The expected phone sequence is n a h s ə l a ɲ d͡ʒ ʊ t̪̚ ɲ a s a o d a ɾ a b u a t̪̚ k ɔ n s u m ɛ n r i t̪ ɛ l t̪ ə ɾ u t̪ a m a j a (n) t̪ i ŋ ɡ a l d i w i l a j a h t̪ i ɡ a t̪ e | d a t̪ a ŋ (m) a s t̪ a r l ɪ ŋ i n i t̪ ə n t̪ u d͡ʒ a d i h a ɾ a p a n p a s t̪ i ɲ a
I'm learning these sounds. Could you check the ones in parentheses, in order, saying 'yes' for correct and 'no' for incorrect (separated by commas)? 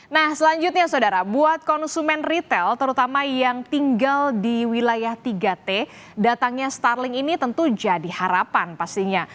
no, no